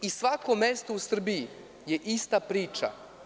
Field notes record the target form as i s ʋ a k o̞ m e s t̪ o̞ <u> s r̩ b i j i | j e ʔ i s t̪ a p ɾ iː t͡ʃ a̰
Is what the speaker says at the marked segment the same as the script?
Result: yes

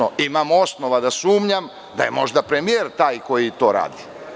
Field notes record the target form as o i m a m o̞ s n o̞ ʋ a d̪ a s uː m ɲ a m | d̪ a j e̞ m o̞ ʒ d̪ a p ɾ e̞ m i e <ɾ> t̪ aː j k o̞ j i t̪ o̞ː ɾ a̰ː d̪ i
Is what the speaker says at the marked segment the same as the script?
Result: yes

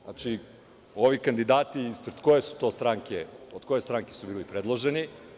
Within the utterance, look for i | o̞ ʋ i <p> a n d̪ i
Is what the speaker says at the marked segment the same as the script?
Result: no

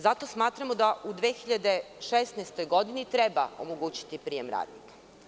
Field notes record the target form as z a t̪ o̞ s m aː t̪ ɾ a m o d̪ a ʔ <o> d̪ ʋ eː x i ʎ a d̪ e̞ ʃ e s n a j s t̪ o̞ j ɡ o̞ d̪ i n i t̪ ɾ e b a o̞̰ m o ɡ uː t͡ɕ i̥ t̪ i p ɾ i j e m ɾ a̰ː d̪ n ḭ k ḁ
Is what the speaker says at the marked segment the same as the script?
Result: no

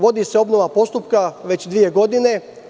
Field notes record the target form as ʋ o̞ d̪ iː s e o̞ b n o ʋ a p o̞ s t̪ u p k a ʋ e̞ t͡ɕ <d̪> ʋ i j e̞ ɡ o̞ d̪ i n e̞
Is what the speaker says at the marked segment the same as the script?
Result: yes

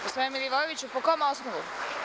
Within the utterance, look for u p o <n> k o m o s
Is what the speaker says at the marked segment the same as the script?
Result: no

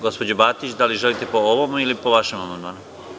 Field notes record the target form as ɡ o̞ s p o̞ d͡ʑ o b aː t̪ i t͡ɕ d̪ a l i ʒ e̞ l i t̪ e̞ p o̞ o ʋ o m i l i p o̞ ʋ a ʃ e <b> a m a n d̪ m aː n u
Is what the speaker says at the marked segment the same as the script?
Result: no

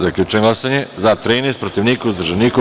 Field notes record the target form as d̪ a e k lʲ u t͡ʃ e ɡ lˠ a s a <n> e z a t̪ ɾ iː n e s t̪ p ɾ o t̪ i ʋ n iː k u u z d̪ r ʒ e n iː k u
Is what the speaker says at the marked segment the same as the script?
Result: no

